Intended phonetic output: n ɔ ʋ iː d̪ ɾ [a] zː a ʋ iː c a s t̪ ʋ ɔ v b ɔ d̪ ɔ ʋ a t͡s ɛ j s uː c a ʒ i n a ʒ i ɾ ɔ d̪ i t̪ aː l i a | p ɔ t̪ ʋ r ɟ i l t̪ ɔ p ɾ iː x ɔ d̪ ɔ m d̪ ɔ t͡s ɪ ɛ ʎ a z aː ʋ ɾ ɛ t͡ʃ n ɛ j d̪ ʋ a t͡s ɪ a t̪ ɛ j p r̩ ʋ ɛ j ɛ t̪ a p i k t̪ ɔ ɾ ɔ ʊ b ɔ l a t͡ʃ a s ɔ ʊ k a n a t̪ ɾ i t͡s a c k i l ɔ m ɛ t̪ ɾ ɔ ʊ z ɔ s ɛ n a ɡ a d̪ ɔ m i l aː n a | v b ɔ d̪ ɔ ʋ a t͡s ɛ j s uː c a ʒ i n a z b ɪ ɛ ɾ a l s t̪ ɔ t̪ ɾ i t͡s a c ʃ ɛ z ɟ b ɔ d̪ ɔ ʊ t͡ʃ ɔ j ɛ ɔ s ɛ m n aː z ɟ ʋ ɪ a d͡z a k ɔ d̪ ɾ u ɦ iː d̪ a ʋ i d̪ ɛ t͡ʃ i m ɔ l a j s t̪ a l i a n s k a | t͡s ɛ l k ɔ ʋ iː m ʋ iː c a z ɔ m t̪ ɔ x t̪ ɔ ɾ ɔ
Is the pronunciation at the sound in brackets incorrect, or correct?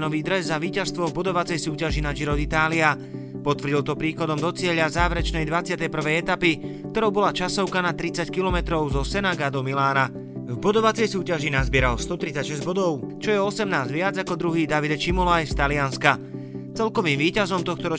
incorrect